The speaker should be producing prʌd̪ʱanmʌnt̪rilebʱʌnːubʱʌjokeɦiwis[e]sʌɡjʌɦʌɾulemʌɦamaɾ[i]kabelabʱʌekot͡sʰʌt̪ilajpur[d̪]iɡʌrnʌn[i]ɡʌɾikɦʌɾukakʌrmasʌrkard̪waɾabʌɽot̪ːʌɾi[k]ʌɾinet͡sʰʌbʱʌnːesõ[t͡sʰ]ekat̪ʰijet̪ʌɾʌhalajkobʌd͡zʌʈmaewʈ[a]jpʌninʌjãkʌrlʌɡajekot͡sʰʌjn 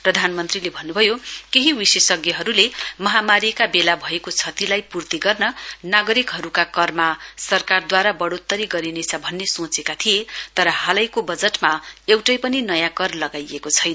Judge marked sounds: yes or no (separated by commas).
yes, yes, no, no, no, no, no